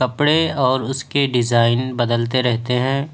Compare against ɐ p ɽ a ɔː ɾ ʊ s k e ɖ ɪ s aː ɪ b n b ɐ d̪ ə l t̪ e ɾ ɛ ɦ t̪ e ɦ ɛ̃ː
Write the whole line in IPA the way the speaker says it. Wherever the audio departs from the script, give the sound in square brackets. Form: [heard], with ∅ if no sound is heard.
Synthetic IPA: ɐ p ɽ [e] ɔː ɾ ʊ s k e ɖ ɪ [z] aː ɪ [∅] n b ɐ d̪ ə l t̪ e ɾ ɛ ɦ t̪ e ɦ ɛ̃ː